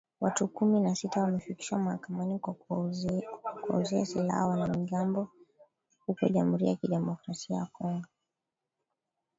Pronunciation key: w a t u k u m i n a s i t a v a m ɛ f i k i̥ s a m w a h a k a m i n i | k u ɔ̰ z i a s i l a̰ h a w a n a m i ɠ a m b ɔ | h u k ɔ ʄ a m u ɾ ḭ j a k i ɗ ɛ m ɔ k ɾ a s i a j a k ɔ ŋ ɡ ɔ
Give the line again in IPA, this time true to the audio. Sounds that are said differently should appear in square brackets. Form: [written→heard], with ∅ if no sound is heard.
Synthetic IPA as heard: w a t u k u m i n a s i t a [v→w] a m ɛ f i k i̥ [s→ʃ] a m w a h a k a m [i→a] n i | k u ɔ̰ z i a s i l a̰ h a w a n a m i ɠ a m b ɔ | h u k ɔ ʄ a m u ɾ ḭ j a k i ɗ ɛ m ɔ k ɾ a s i a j a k ɔ ŋ ɡ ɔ